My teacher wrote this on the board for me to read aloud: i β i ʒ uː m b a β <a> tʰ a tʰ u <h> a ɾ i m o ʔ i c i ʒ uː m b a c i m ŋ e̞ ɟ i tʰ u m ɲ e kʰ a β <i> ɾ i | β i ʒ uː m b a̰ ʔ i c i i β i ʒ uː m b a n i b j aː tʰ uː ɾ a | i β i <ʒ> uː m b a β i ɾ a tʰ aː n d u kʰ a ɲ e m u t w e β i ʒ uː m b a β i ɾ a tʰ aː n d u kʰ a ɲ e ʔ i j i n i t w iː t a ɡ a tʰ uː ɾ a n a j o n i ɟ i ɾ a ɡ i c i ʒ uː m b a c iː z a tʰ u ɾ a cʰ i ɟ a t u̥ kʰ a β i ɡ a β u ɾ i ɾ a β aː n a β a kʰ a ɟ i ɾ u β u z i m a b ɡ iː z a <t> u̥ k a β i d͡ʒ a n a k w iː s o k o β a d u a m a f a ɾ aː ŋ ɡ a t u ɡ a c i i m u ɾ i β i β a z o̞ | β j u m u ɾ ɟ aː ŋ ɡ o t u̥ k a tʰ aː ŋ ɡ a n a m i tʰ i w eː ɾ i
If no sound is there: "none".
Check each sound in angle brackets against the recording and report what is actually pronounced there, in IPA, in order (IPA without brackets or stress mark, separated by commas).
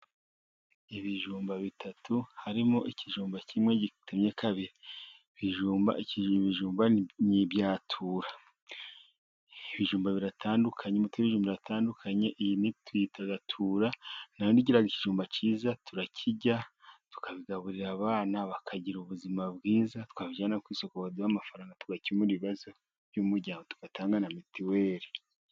i, h, i, ʒ, t